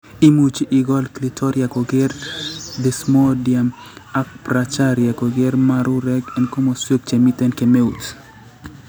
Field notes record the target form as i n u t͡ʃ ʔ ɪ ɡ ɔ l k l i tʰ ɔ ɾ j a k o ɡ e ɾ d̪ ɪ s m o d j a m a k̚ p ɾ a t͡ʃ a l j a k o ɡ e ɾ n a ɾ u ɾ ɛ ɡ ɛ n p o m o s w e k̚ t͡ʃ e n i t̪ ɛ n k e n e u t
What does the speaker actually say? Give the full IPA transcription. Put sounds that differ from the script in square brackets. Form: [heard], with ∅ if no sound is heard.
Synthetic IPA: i [m] u t͡ʃ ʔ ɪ ɡ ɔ l k l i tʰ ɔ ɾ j a k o ɡ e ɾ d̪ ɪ s m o d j a m a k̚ p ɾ a t͡ʃ a [ɾ] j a k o ɡ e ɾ [m] a ɾ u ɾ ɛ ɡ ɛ n [k] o m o s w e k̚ t͡ʃ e [m] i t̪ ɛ n k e [m] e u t